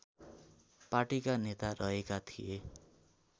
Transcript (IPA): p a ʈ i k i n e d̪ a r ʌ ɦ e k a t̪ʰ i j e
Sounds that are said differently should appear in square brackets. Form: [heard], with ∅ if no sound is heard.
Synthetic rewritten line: p a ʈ i k [a] n e [t̪] a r ʌ ɦ e k a t̪ʰ i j e

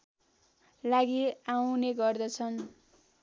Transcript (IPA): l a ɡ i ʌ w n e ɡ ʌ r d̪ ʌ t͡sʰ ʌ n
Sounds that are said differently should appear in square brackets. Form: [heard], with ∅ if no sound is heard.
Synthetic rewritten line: l a ɡ i [a] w n e ɡ ʌ r d̪ ʌ t͡sʰ ʌ n

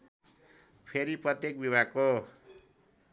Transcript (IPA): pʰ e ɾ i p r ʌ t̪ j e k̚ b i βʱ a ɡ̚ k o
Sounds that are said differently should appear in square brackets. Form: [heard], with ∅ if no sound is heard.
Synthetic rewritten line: pʰ e ɾ i p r ʌ t̪ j e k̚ b i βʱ a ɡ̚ k o

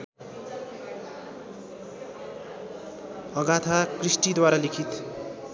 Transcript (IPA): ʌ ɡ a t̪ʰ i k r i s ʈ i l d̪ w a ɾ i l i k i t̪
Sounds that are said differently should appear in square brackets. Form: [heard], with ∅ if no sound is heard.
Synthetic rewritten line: ʌ ɡ a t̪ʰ [a] k r i s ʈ i [∅] d̪ w a ɾ [a] l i [kʰ] i t̪

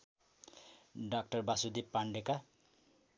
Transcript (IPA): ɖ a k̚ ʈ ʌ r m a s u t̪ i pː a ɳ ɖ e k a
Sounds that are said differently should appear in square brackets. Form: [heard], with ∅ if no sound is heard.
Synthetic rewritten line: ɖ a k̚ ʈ ʌ r [b] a s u [d̪] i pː a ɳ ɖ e k a

